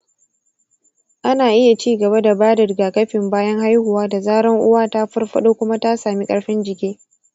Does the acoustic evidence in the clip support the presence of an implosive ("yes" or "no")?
yes